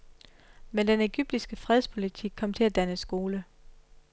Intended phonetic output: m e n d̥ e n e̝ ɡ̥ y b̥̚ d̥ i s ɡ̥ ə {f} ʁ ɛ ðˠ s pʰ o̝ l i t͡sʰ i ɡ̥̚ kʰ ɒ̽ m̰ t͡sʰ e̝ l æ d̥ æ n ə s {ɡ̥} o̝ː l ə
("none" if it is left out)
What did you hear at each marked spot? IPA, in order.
f, ɡ̥

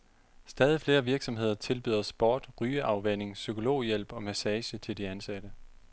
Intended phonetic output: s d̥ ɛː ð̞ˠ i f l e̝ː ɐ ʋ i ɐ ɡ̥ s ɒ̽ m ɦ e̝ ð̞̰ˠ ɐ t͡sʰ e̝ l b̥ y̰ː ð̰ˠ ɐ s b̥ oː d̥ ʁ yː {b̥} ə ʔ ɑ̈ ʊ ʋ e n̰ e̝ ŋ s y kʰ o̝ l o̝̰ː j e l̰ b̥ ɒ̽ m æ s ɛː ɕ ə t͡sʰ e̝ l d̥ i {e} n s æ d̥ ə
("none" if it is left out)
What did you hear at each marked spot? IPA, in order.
none, æ

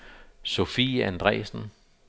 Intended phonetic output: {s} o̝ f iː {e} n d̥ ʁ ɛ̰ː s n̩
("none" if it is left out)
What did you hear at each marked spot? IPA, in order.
s, æ

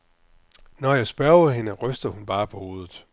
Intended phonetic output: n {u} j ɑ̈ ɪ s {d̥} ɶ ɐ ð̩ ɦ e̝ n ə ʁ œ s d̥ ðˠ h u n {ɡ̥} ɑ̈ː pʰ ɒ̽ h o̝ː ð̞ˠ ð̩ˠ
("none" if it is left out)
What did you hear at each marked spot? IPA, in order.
ɒ, b̥, b̥

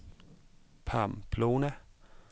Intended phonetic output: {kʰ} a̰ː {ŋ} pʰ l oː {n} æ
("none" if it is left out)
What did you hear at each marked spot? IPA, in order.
pʰ, m, n

